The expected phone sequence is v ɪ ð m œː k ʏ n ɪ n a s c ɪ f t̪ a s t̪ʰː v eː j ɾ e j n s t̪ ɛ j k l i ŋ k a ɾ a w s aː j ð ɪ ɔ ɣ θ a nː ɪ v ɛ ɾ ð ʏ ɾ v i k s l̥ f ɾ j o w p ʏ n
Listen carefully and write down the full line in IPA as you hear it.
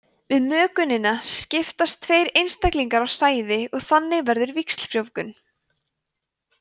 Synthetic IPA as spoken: v ɪ ð m œː k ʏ n ɪ n a s c ɪ f t̪ a s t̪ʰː v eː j ɾ e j n s t̪ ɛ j k l i ŋ k a ɾ a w s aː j ð ɪ ɔ ɣ θ a nː ɪ v ɛ ɾ ð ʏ ɾ v i k s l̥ f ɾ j o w k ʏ n

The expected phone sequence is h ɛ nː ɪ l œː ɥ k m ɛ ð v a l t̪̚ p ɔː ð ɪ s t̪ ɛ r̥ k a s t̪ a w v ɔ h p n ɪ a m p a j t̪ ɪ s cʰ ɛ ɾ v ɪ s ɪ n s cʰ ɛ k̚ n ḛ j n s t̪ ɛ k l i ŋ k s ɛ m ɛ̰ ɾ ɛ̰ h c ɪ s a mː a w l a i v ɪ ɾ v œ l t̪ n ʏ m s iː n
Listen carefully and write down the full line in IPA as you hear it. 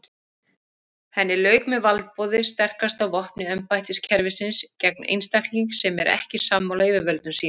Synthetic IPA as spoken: h ɛ nː ɪ l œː ɥ k m ɛ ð v a l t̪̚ p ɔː ð ɪ s t̪ ɛ r̥ k a s t̪ a w v ɔ h p n ɪ ɛ m p a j t̪ ɪ s cʰ ɛ ɾ v ɪ s ɪ n s c ɛ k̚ n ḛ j n s t̪ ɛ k l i ŋ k s ɛ m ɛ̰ ɾ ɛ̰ h c ɪ s a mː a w l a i v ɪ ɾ v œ l t̪ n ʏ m s iː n

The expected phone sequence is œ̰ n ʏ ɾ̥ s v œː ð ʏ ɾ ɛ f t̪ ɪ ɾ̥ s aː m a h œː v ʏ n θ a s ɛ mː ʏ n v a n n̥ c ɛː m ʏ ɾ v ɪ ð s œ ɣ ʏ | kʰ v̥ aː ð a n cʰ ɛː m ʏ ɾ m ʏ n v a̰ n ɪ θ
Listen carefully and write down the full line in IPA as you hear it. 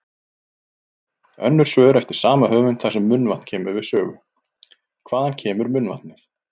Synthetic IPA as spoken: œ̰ nː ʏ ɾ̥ s v œː ð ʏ ɾ ɛ f t̪ ɪ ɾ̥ s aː m a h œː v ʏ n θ a s ɛ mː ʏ n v a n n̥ cʰ ɛː m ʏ ɾ v ɪ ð s œː ɣ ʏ | kʰ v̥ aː ð a n cʰ ɛː m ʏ ɾ m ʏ n v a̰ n ɪ θ

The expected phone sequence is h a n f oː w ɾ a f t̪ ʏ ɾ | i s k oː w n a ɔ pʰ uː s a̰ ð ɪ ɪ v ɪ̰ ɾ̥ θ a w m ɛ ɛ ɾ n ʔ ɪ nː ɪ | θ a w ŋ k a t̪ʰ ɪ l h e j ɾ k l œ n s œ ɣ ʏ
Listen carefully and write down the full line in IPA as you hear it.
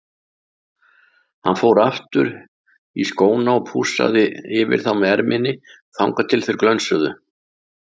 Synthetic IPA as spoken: h a n f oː w ɾ a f t̪ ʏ ɾ | i s k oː w n a ɔ pʰ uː s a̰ ð ɪ ɪ v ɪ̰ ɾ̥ θ a w m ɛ ɛ ɾ m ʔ ɪ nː ɪ | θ a w ŋ k a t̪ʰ ɪ l θ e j ɾ k l œ n s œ ð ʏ

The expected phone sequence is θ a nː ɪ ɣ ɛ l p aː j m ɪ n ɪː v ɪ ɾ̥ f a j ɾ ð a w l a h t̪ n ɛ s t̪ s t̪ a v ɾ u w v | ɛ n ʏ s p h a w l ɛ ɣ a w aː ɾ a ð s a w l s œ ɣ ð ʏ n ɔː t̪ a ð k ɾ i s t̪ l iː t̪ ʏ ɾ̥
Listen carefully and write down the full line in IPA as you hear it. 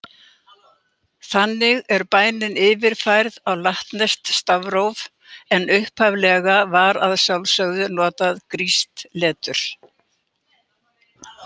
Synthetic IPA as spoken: θ a nː ɪ ɣ ɛ ɾ p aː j n ɪ n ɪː v ɪ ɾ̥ f a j ɾ ð a w l a h t̪ n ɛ s t̪ s t̪ a v ɾ o w v | ɛ n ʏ h p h a v l ɛ ɣ a v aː ɾ a ð s a w l s œ ɣ ð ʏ n ɔː t̪ a ð k ɾ i s t̪ l ɛː t̪ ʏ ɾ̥

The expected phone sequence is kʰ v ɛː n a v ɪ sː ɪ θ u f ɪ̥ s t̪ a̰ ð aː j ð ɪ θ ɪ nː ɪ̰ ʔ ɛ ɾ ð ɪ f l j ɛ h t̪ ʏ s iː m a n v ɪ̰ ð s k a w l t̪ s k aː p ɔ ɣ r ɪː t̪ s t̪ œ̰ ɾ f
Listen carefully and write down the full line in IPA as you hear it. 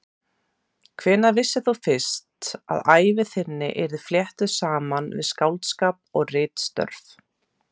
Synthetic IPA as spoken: kʰ v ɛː n a v ɪ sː ɪ θ u f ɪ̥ s t̪ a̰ ð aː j v ɪ θ ɪ nː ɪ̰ ʔ ɛ ɾ ð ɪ f l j ɛ h t̪ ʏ s aː m a n v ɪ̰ ð s k a w l t̪ s k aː p ɔ ɣ r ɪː t̪ s t̪ œ̰ ɾ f

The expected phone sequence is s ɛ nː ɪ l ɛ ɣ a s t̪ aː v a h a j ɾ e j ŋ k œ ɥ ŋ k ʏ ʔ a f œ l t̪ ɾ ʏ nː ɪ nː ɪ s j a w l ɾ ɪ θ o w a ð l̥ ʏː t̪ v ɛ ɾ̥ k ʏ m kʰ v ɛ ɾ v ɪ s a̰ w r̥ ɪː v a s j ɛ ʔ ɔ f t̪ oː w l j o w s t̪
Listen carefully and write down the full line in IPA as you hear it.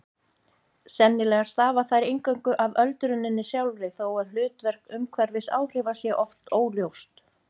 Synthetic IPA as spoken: s ɛ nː ɪ l ɛ ɣ a s t̪ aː v a θ a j ɾ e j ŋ k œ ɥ ŋ k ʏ ʔ a v œ l t̪ ɾ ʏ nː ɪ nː ɪ s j a w l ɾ ɪ θ o w a ð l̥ ʏː t̪ v ɛ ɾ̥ k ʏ m kʰ v ɛ ɾ v ɪ s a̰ w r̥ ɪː v a s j ɛ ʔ ɔ f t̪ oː w l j o w s t̪

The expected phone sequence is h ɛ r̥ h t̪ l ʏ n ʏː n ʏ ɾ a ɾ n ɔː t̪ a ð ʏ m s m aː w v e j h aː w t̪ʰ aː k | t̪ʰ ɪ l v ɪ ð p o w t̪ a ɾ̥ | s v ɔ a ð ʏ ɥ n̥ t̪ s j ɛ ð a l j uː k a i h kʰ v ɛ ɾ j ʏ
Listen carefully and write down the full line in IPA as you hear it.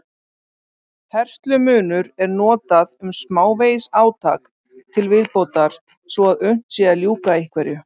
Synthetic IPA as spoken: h ɛ r̥ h t̪ l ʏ m ʏː n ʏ ɾ ɛ ɾ n ɔː t̪ a ð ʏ m s m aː w v e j s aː w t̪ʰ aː k | t̪ʰ ɪ l v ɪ ð p o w t̪ a ɾ̥ | s v ɔ a ð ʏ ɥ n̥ t̪ s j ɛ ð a l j uː k a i h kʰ v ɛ ɾ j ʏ

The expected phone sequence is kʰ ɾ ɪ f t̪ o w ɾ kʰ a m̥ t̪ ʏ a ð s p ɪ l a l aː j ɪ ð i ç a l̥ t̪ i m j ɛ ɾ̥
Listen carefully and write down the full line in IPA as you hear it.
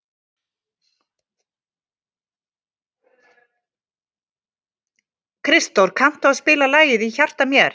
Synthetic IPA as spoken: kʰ ɾ ɪ s t̪ o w ɾ kʰ a m̥ t̪ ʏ a ð s p ɪː l a l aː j ɪ ð i ç a r̥ t̪ a m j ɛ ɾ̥

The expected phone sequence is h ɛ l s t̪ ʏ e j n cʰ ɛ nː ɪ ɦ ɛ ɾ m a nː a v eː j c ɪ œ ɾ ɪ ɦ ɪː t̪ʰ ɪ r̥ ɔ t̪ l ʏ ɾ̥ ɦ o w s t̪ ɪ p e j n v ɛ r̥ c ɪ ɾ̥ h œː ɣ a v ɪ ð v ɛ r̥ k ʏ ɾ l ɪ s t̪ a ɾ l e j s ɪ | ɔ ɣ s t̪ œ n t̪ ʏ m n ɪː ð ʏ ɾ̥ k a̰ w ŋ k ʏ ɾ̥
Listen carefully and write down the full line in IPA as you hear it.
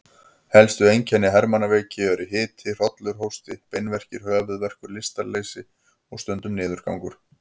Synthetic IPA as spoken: h ɛ l s t̪ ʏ e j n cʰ ɛ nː ɪ ɦ ɛ ɾ m a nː a v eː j c ɪ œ ɾ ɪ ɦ ɪː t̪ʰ ɪ r̥ ɔ t̪ l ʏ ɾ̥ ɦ o w s t̪ ɪ p e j n v ɛ r̥ c ɪ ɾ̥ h œː ɣ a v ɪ ð v ɛ r̥ k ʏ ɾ l ɪ s t̪ a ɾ l e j s ɪ | ɔ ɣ s t̪ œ n t̪ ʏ m n ɪː ð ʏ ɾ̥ k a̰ w ŋ k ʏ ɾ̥

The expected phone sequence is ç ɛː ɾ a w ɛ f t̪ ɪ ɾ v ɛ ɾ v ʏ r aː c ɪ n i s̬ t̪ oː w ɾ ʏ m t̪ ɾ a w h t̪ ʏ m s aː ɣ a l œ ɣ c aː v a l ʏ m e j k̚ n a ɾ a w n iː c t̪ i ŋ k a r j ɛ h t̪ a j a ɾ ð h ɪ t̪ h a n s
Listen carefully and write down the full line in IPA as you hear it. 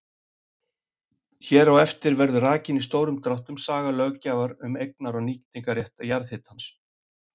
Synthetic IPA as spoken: ç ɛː ɾ a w ɛ f t̪ ɪ ɾ v ɛ ɾ ð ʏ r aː c ɪ n i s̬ t̪ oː w ɾ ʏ m t̪ ɾ a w h t̪ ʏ m s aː ɣ a l œ ɣ c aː v a ɾ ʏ m e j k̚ n a ɾ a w n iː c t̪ i ŋ k a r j ɛ h t̪ a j a ɾ ð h ɪ t̪ h a n s

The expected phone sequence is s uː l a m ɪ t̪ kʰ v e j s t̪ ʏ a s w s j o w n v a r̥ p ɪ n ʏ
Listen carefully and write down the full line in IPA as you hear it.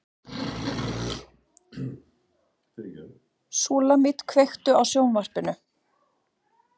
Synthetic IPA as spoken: s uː l a m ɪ t̪ kʰ v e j x t̪ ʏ a w s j o w n v a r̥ p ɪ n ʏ

